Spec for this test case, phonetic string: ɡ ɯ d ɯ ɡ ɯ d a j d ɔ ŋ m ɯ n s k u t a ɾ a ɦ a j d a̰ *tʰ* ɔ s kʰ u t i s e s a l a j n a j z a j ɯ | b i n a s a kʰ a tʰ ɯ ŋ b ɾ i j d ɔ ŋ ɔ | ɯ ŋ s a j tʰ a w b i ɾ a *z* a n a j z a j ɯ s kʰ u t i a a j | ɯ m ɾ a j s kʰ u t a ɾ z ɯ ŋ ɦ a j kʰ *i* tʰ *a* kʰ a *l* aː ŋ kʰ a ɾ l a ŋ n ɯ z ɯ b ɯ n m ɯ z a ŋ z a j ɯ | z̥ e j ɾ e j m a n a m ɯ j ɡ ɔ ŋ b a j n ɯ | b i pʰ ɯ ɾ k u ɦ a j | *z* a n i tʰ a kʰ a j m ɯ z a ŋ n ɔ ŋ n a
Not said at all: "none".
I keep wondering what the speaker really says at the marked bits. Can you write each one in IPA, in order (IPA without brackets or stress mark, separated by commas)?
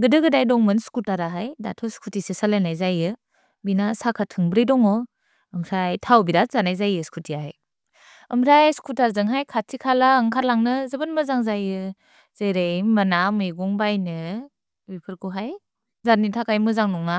tʰ, z, a, i, l, z